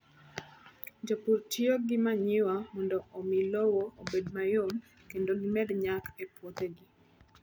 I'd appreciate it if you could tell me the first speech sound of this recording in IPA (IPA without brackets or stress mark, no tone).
d͡ʒ